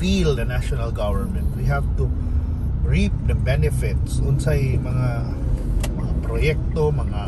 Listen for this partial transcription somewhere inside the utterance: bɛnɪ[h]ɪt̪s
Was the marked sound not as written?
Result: yes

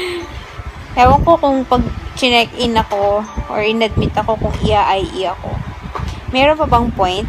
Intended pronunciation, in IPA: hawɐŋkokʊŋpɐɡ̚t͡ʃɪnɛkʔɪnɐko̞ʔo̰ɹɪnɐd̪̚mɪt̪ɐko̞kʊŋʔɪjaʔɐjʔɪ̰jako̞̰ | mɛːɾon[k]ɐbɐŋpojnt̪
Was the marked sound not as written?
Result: yes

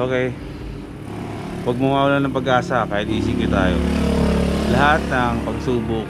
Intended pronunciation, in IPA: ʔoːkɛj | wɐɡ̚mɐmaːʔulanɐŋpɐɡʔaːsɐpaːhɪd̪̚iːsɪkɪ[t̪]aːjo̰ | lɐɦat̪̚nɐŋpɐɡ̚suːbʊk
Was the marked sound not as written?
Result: no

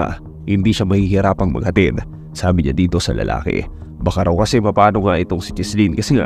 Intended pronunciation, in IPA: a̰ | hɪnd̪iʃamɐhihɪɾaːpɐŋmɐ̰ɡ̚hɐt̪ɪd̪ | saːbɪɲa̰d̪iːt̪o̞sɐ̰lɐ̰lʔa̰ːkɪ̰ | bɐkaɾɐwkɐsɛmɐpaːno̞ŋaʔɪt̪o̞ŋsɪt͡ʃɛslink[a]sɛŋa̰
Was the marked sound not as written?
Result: yes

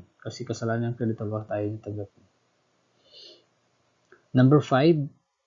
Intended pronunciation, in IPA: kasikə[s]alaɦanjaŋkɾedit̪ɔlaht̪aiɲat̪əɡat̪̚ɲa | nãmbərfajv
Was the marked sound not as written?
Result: no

